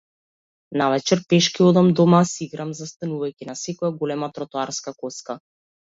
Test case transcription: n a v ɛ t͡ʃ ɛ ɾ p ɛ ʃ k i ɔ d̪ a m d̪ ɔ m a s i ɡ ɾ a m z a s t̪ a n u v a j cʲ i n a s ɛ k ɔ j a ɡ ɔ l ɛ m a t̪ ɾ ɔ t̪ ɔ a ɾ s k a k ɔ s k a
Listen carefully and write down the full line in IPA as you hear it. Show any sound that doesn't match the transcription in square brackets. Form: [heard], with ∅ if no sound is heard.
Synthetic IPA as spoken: n a v ɛ t͡ʃ ɛ ɾ p ɛ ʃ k i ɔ d̪ a m d̪ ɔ m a s i ɡ ɾ a m z a s t̪ a n u v a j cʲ i n a s ɛ k ɔ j a ɡ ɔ l ɛ m a t̪ ɾ ɔ t̪ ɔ a ɾ s k a k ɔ s k a